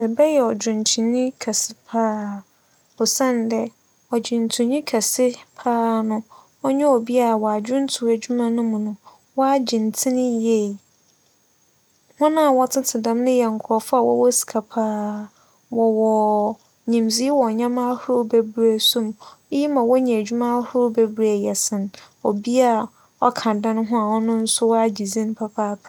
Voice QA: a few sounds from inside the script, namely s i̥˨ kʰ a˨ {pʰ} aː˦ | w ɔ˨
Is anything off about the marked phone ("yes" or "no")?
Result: no